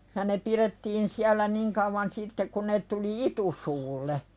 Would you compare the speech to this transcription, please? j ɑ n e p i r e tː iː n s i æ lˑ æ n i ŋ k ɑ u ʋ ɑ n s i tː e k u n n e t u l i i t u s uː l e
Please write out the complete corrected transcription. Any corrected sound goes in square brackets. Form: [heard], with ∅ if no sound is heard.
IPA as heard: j ɑ n e p i r e tː iː n s i æ lˑ æ n i ŋ k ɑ u ʋ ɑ n s i tː e k u n n e t u l i i t u s uː [lː] e